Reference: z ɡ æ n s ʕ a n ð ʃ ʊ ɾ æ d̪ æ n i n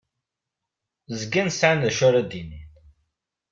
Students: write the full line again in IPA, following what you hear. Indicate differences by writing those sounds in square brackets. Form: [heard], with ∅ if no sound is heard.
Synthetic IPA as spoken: z ɡ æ n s ʕ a n ð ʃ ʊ ɾ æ d̪ [i] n i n

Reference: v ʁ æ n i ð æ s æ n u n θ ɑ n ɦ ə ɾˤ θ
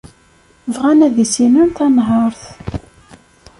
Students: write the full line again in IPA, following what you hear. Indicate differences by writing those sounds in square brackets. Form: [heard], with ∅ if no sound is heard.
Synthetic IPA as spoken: v ʁ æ n [æ] ð [i] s [i] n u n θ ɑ n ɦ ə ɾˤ θ

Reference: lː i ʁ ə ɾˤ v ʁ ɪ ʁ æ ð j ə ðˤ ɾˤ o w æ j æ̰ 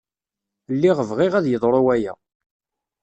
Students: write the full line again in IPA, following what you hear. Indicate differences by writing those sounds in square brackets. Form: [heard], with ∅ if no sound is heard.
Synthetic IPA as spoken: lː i ʁ ə [∅] v ʁ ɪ ʁ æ ð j ə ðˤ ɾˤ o w æ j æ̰

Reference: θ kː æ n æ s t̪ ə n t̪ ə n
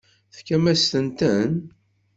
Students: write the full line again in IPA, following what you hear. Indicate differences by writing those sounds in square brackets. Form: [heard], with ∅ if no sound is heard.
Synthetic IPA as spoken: θ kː æ [m] æ s t̪ ə n t̪ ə n

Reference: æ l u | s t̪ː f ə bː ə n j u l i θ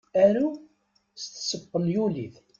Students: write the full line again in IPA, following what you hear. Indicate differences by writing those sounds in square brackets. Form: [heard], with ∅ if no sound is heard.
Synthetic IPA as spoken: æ [ɾ] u | s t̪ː [s] ə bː ə n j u l i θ

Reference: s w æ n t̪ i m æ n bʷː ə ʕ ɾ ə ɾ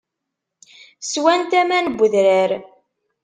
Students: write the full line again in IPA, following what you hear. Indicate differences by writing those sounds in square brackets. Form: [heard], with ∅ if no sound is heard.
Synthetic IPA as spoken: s w æ n t̪ [æ] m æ n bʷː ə [ð] ɾ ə ɾ

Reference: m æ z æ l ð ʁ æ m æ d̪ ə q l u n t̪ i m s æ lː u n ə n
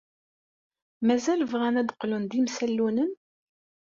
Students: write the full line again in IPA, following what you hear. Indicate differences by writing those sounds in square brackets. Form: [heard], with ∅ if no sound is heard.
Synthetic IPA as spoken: m æ z æ l [v] ʁ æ [n] æ d̪ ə q l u n [d̪] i m s æ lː u n ə n

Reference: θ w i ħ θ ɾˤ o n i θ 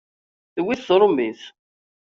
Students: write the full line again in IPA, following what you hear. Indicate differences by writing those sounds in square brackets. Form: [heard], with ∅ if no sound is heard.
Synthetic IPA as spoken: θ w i [θ] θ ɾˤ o [m] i θ

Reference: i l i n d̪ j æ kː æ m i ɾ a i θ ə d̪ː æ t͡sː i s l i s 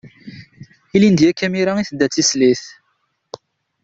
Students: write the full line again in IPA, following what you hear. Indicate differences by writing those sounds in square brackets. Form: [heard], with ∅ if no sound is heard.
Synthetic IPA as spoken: i l i n d̪ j æ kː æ m i ɾ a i θ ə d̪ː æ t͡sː i s l i [θ]

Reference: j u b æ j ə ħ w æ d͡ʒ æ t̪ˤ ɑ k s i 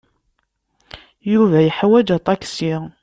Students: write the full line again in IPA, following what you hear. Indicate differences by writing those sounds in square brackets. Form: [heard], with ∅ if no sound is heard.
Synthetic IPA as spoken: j u [v] æ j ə ħ w æ d͡ʒ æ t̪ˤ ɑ k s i

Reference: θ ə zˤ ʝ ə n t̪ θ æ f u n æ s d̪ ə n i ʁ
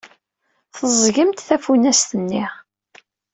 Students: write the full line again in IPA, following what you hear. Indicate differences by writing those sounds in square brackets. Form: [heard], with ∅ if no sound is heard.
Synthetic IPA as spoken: θ ə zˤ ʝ ə [m] t̪ θ æ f u n æ s [t̪] ə [nː] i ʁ

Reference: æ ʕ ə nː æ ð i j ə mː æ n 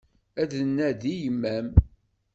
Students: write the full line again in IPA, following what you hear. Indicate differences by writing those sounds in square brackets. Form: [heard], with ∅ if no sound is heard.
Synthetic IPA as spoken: æ [ð] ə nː æ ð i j ə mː æ [m]

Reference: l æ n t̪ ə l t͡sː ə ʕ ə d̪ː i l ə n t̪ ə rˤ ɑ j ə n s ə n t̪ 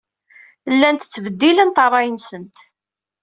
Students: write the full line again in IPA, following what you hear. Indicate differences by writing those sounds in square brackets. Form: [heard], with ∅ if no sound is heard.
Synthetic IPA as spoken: [lː] æ n t̪ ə [∅] t͡sː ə [v] ə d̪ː i l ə n t̪ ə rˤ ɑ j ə n s ə n t̪

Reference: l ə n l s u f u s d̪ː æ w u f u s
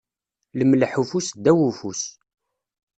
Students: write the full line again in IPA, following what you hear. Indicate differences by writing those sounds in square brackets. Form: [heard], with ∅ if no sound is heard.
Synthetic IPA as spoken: l ə [m] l [ħ] u f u s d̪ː æ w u f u s

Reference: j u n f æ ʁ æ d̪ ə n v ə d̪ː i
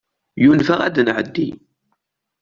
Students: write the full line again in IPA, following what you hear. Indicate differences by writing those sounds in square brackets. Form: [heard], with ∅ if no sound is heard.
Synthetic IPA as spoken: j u n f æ ʁ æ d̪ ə n [ʕ] ə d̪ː i

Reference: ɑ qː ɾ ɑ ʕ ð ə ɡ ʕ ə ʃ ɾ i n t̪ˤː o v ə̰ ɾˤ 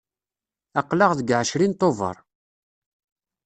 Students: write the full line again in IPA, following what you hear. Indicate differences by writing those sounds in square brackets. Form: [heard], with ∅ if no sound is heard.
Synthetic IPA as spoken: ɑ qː [l] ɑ [ʁ] ð ə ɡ ʕ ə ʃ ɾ i n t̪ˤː o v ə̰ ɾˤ

